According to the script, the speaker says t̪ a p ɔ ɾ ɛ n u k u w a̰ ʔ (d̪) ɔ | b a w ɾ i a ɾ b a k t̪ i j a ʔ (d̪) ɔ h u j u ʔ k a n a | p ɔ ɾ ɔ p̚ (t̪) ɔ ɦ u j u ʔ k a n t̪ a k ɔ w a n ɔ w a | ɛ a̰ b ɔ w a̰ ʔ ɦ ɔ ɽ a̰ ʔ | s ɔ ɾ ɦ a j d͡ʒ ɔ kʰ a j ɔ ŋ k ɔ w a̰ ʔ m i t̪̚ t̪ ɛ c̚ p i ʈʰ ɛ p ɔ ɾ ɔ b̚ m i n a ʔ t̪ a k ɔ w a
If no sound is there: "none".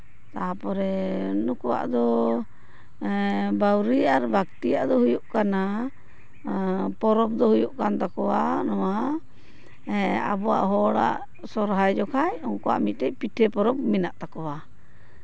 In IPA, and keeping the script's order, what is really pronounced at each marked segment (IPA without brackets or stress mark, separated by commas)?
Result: d̪, d̪, d̪